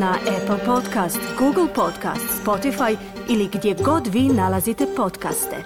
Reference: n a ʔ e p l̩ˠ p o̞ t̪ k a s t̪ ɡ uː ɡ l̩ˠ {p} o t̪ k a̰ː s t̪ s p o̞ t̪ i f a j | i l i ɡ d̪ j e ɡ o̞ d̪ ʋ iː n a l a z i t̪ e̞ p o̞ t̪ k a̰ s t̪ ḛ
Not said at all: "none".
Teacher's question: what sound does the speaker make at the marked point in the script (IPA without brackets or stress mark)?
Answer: p